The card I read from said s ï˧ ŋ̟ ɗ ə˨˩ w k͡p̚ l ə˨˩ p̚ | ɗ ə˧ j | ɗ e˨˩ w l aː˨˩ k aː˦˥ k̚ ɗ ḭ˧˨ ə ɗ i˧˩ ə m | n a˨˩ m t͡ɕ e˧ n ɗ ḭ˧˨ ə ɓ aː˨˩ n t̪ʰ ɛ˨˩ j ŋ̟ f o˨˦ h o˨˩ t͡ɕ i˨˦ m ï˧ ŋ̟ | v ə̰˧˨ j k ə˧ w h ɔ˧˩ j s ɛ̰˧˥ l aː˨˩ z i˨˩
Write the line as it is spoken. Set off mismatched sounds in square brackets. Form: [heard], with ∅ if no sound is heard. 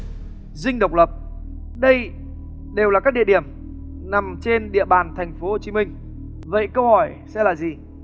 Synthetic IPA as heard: [z] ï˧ ŋ̟ ɗ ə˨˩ w k͡p̚ l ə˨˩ p̚ | ɗ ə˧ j | ɗ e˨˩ w l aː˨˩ k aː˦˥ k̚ ɗ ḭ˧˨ ə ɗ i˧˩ ə m | n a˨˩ m t͡ɕ e˧ n ɗ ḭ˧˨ ə ɓ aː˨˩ n t̪ʰ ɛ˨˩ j ŋ̟ f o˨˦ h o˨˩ t͡ɕ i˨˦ m ï˧ ŋ̟ | v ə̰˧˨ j k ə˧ w h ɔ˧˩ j s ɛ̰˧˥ l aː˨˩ z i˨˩